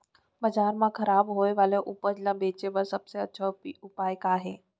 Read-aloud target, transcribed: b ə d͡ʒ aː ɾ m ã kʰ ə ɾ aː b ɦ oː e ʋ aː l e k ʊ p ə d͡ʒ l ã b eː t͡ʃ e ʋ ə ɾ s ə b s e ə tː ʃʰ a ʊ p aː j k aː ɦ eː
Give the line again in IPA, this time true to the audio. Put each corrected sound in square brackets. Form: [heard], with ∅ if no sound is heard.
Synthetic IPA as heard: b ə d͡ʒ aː ɾ m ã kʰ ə ɾ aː b ɦ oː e ʋ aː l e [ʔ] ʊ p ə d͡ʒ l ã b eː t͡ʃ e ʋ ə ɾ s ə b s e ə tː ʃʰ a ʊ p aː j k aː ɦ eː